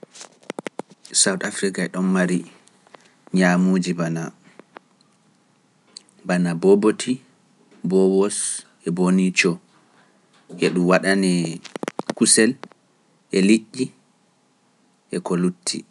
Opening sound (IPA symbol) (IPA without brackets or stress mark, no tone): s